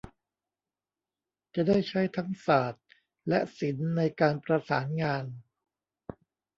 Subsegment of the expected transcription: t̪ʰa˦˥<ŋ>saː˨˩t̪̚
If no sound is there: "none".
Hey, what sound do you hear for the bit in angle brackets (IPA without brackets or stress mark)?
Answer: ŋ